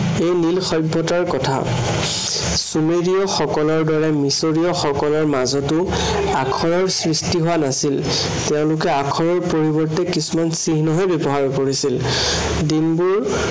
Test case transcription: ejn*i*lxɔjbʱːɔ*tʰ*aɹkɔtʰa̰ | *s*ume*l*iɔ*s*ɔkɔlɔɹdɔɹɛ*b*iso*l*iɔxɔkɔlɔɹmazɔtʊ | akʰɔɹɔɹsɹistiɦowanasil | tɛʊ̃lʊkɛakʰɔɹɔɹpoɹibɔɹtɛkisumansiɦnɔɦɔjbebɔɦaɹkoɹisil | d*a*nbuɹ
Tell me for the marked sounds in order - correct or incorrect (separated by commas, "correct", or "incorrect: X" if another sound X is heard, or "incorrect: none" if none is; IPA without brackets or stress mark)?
correct, incorrect: t, correct, incorrect: ɹ, incorrect: x, incorrect: m, incorrect: ɹ, incorrect: i